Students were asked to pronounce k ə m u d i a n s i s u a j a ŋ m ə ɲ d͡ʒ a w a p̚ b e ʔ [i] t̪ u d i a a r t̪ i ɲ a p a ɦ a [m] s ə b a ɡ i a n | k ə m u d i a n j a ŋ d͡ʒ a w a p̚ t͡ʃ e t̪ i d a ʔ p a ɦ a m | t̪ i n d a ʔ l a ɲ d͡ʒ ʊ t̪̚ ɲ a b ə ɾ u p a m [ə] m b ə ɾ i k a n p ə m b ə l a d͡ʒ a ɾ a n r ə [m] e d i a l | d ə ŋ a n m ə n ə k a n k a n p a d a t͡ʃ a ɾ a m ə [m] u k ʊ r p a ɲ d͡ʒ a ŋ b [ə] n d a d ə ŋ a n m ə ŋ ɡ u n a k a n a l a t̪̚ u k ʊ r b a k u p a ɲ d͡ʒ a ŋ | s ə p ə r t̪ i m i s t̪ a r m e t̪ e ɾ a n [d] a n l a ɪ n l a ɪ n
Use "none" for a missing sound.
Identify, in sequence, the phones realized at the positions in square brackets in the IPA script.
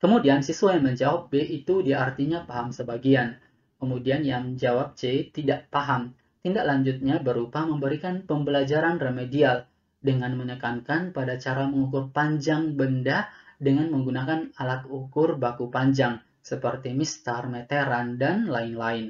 i, m, ə, m, ŋ, ə, d

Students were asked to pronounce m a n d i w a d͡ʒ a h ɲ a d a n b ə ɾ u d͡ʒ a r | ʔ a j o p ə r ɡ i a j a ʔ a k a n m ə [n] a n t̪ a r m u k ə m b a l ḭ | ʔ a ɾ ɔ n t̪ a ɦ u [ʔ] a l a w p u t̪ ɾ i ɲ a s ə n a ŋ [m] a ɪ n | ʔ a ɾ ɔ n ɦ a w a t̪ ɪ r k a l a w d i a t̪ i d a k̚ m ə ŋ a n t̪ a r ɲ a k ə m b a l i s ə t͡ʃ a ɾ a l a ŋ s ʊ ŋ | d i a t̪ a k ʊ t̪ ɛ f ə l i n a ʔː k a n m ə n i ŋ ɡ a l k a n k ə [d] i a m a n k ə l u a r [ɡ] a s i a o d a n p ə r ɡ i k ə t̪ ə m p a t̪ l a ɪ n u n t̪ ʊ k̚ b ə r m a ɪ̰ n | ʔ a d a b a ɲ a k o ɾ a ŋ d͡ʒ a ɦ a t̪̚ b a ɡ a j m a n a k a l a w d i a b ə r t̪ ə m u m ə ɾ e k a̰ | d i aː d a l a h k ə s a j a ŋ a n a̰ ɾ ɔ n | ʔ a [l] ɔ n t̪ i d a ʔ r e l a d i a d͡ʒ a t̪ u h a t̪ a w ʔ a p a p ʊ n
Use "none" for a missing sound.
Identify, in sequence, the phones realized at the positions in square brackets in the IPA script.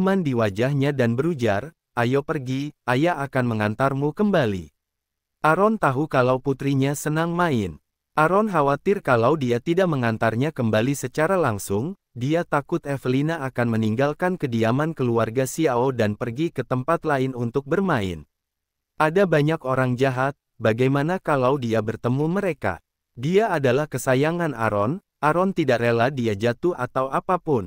ŋ, k, m, d, ɡ, ɾ

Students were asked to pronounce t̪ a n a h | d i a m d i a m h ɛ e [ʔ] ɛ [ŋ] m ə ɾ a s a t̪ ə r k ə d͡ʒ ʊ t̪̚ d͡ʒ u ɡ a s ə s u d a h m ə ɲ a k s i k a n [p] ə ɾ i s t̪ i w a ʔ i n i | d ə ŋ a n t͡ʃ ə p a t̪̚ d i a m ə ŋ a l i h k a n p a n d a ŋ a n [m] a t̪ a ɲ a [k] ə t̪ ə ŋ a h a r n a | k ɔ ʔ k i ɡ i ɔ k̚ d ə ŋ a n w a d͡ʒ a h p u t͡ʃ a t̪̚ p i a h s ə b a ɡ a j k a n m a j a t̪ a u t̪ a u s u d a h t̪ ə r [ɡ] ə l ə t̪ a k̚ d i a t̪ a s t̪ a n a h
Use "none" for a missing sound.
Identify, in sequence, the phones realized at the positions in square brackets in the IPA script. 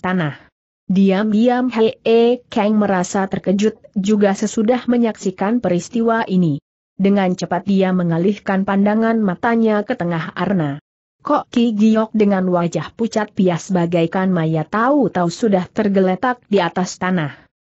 k, ŋ, p, m, k, ɡ

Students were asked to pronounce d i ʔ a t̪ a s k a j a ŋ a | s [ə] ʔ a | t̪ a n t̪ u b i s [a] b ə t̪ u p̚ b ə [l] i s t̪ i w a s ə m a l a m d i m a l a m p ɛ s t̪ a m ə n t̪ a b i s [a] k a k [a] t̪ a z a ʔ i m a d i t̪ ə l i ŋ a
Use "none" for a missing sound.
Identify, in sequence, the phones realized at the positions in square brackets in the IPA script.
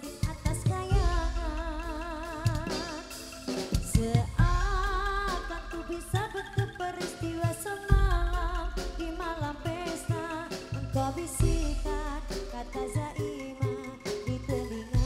ə, a, ɾ, i, a

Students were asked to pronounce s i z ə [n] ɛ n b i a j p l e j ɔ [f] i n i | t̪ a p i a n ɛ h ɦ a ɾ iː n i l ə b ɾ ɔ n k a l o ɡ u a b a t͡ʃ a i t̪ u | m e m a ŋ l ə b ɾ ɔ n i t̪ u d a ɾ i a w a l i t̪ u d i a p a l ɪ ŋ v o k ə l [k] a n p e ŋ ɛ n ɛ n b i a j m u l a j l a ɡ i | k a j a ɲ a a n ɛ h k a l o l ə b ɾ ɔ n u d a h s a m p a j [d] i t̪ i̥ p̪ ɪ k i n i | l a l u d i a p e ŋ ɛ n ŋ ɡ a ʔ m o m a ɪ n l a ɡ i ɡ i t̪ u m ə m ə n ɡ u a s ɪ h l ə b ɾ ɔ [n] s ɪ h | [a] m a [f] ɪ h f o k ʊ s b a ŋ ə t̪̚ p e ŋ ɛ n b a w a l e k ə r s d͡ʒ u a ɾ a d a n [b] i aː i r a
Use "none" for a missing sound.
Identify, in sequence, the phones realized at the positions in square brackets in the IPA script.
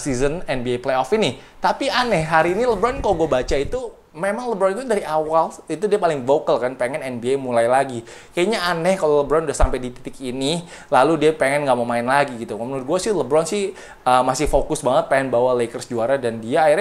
n, f, k, d, n, ə, s, d

